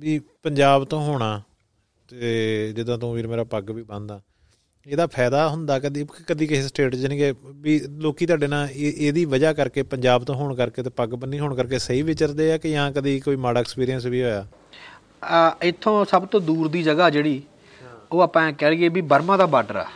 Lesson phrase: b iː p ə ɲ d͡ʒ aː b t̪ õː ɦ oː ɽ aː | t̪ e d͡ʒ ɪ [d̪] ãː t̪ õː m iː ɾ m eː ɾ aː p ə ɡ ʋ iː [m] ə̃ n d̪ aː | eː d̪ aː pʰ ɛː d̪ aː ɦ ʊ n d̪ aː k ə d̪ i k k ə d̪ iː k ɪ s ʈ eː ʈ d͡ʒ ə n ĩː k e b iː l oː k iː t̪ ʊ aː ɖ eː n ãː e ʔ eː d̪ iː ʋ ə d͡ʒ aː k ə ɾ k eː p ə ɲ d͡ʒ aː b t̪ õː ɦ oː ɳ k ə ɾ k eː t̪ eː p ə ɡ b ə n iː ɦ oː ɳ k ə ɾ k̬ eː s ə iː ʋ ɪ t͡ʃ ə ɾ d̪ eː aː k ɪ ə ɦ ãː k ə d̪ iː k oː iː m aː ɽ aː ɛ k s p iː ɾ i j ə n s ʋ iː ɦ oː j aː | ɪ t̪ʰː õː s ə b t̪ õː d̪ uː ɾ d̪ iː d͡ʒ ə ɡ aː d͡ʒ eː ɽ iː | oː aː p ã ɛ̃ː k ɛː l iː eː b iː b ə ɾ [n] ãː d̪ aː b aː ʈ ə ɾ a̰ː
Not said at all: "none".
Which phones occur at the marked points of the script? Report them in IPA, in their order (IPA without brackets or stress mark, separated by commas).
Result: d̪, b, m